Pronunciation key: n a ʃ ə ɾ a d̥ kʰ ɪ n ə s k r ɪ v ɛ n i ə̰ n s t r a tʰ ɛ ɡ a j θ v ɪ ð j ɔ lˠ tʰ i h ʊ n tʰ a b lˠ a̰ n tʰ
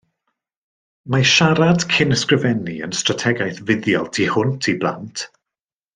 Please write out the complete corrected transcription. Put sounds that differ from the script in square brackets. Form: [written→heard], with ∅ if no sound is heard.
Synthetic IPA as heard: [n→m] a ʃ [ə→a] ɾ a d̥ kʰ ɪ n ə s k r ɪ v ɛ n i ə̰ n s t r a tʰ ɛ ɡ a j θ v ɪ ð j ɔ lˠ tʰ i h ʊ n tʰ [a→i] b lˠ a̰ n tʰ